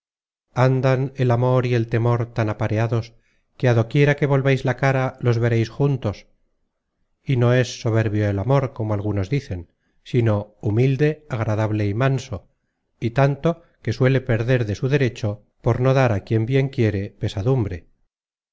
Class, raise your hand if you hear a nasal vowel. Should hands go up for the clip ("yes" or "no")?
no